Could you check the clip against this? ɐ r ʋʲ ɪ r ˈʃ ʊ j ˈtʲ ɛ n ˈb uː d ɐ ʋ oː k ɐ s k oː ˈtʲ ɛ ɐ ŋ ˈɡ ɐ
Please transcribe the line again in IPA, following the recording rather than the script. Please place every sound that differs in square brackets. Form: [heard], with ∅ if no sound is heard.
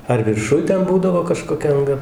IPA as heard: ɐ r ʋʲ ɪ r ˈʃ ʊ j ˈtʲ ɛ n ˈb uː d ɐ ʋ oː k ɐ [ʃ] k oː [ˈkʲ] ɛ ɐ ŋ ˈɡ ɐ